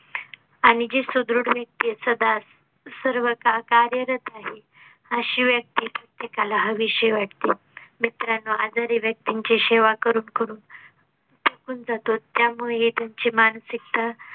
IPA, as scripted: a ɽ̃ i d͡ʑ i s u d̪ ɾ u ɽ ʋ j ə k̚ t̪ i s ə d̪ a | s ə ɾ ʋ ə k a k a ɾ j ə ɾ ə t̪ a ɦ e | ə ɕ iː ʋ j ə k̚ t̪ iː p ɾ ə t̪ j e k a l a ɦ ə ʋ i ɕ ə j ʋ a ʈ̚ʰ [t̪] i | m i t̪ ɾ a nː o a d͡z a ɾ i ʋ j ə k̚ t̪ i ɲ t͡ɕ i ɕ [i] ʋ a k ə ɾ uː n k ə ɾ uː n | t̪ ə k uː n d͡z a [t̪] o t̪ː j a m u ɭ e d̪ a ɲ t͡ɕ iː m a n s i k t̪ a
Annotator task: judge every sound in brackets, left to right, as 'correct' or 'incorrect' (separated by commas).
correct, incorrect, correct